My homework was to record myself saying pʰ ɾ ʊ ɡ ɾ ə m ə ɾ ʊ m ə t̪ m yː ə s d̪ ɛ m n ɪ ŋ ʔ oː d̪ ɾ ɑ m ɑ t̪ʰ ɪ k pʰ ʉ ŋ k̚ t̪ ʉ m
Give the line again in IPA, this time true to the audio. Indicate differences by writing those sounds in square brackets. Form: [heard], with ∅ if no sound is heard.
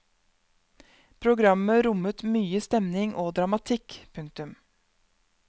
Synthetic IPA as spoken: pʰ ɾ ʊ ɡ ɾ [ɑ] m ə ɾ ʊ m ə t̪ m yː ə s [t̪] ɛ m n ɪ ŋ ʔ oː d̪ ɾ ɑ m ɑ t̪ʰ ɪ k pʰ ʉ ŋ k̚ t̪ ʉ m